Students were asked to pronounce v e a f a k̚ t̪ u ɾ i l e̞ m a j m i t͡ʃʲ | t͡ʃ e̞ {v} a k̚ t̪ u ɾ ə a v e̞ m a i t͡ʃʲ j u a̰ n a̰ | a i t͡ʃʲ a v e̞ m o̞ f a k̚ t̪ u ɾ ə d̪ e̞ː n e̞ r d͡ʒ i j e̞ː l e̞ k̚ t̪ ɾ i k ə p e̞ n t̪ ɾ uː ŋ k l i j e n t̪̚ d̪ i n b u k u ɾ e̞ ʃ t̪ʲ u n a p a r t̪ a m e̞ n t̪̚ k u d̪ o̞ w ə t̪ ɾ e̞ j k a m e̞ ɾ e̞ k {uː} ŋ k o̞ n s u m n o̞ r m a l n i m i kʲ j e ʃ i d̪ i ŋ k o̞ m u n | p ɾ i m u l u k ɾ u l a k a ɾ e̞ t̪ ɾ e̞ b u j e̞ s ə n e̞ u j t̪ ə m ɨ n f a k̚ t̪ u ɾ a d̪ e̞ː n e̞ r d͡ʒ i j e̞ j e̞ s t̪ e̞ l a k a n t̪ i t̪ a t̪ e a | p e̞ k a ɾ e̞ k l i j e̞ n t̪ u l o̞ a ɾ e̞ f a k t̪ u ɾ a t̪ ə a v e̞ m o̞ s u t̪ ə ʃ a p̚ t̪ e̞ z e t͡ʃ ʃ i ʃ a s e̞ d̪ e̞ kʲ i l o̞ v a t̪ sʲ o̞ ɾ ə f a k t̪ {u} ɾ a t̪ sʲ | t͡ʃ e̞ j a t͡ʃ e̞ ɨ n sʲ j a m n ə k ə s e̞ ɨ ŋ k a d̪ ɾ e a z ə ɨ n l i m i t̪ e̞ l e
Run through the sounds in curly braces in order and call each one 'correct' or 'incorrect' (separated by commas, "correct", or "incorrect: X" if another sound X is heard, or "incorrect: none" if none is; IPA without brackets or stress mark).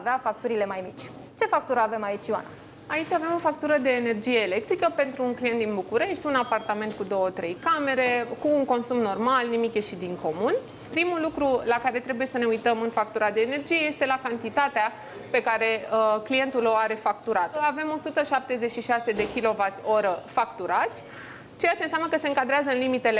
incorrect: f, correct, correct